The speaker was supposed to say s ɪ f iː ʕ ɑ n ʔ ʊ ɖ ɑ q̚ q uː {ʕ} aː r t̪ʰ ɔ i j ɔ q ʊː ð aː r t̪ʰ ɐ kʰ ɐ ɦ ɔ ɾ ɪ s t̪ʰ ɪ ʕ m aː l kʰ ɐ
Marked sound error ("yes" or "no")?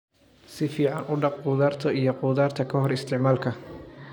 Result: yes